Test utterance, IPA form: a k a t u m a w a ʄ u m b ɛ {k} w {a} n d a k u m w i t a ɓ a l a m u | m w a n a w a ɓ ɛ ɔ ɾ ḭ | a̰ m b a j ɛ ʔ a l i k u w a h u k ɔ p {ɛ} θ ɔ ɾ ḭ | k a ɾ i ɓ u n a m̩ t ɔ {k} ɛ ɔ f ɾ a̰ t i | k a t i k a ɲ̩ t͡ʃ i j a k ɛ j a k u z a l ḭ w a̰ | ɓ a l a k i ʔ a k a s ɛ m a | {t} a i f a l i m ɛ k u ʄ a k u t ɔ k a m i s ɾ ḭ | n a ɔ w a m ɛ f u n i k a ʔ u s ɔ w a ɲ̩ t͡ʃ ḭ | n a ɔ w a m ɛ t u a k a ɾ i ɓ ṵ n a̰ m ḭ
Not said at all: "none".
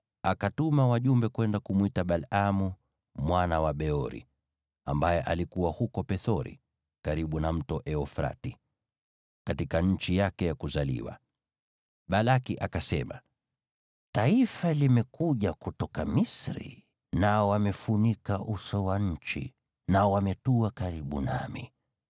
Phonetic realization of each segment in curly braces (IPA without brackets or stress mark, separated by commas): k, ɛ, ɛ, ʔ, t